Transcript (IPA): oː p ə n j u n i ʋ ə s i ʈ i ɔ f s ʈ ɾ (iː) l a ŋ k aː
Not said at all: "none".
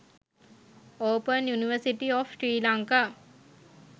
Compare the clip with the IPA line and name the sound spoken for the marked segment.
iː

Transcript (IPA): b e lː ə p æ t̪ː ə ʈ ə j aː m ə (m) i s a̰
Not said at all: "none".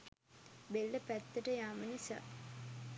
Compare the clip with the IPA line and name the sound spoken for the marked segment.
n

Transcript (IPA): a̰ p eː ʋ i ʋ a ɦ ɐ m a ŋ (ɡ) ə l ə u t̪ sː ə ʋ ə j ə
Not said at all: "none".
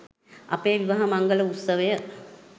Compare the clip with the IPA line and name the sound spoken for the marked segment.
ɡ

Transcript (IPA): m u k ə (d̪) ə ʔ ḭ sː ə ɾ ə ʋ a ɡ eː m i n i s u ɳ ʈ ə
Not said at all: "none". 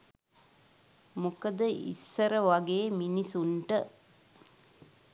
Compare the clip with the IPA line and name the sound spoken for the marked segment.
d̪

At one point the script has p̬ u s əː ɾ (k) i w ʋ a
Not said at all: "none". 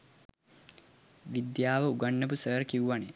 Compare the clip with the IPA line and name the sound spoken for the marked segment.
k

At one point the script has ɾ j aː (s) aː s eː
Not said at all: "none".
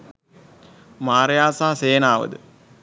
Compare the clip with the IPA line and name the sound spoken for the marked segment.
s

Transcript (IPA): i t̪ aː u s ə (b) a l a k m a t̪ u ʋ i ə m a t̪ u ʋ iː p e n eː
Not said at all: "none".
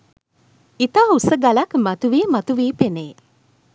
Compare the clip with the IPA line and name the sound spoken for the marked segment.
ɡ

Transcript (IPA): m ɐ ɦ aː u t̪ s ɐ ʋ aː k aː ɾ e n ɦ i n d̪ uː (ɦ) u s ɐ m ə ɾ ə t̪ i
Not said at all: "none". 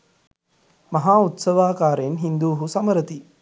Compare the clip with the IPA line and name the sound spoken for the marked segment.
ɦ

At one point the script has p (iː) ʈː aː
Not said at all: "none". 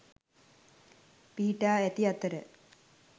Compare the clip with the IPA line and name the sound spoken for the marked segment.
iː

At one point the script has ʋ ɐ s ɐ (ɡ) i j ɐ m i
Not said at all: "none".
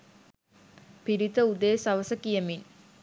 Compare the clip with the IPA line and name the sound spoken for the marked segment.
k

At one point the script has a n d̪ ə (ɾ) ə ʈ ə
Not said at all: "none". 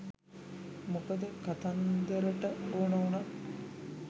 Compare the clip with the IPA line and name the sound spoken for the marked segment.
ɾ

